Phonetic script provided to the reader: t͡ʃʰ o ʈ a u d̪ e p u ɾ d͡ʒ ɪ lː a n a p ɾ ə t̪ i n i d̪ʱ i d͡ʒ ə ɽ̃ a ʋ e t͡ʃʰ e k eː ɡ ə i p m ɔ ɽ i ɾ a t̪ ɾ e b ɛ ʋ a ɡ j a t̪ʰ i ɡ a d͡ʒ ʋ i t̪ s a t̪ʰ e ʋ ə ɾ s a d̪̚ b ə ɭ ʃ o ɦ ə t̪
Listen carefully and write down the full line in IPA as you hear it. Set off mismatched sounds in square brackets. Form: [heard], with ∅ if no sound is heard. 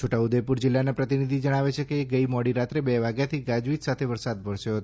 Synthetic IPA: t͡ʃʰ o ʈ a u d̪ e p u ɾ d͡ʒ ɪ lː a n a p ɾ ə t̪ i n i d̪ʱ i d͡ʒ ə ɽ̃ a ʋ e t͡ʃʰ e k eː ɡ ə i [∅] m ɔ ɽ i ɾ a t̪ ɾ e b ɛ ʋ a ɡ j a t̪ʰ i ɡ a d͡ʒ ʋ i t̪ s a t̪ʰ e ʋ ə ɾ s a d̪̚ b ə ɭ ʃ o ɦ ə t̪